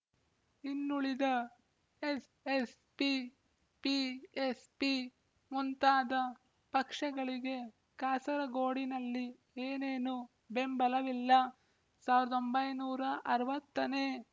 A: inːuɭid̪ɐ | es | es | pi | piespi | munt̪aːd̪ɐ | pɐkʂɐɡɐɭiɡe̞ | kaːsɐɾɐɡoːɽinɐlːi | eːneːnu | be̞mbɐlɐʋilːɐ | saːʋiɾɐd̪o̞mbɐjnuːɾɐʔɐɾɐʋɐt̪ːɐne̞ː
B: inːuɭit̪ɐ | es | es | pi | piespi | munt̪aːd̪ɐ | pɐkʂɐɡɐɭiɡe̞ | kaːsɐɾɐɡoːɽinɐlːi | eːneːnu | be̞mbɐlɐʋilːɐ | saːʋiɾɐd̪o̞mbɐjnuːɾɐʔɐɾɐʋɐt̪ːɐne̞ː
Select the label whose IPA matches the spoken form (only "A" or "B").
A